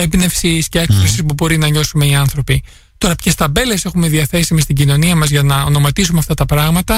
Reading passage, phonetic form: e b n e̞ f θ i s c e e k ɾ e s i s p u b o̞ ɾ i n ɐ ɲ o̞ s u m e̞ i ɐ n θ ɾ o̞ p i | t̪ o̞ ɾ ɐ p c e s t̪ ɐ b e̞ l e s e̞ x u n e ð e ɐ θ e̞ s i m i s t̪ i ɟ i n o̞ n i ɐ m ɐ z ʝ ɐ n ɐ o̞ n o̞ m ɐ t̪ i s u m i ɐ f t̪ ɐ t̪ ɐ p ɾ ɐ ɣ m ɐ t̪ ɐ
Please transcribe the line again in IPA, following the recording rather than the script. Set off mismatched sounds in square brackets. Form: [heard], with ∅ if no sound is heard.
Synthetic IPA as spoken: e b n e̞ f [s] i s c e e k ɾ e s i s p u b o̞ ɾ i n ɐ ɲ o̞ s u m e̞ i ɐ n θ ɾ o̞ p i | t̪ o̞ ɾ ɐ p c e s t̪ ɐ b e̞ l e s e̞ x u [m] e ð [i] ɐ θ e̞ s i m i s t̪ i ɟ i n o̞ n i ɐ m ɐ z ʝ ɐ n ɐ o̞ n o̞ m ɐ t̪ i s u m [e] ɐ f t̪ ɐ t̪ ɐ p ɾ ɐ ɣ m ɐ t̪ ɐ